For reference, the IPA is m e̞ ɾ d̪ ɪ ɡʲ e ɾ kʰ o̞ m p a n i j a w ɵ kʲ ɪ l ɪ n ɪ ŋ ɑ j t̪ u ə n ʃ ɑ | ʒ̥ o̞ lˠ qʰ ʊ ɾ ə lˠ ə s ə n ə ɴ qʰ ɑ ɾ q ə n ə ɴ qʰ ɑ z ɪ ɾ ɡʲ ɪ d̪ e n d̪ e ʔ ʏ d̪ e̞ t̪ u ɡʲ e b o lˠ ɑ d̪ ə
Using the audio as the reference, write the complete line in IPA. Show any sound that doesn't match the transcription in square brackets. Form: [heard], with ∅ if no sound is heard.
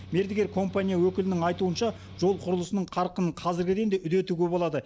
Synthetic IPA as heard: m e̞ ɾ d̪ ɪ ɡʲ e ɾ kʰ o̞ m p a n i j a w ɵ kʲ ɪ l ɪ n ɪ ŋ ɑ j t̪ u ə n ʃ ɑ | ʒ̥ o̞ lˠ qʰ ʊ ɾ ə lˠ ə s ə n ə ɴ qʰ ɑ ɾ q ə n ə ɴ qʰ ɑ z ɪ ɾ ɡʲ ɪ d̪ e n d̪ e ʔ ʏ d̪ e̞ t̪ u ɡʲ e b o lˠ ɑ d̪ ə